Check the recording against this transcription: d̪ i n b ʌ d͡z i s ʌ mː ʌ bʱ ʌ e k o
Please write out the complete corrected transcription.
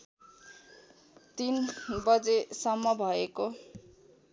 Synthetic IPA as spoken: t̪ i n b ʌ d͡z e s ʌ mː ʌ bʱ ʌ e k o